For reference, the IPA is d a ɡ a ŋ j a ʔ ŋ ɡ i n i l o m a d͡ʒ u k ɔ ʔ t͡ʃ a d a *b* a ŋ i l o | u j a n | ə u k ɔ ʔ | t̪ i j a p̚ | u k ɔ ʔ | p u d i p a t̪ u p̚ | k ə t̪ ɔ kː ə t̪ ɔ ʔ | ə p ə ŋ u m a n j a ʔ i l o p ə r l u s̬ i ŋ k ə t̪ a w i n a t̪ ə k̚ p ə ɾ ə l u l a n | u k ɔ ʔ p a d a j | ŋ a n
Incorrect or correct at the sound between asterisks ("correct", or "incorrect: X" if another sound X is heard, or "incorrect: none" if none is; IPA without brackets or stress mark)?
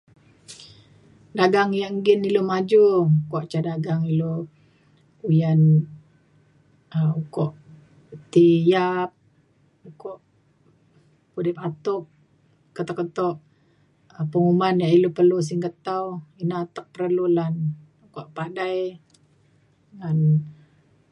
incorrect: ɡ